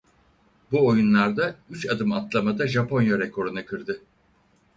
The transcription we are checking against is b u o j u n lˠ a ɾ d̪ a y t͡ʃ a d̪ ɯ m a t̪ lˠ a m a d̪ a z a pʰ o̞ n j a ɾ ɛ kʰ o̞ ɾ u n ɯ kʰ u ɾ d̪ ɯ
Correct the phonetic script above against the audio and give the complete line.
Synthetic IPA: b u o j u n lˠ a ɾ d̪ a y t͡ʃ a d̪ ɯ m a t̪ lˠ a m a d̪ a ʒ a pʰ o̞ n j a ɾ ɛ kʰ o̞ ɾ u n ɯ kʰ ɯ ɾ d̪ ɯ